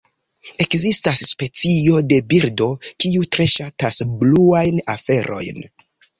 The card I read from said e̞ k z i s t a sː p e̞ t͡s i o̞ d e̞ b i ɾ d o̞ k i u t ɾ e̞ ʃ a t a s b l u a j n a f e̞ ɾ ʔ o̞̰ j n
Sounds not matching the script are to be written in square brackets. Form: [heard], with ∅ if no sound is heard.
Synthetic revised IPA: e̞ k z i s t a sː p e̞ t͡s i o̞ d e̞ b i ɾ d o̞ k i u t ɾ e̞ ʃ a t a s b l u a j n a f e̞ ɾ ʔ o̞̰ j n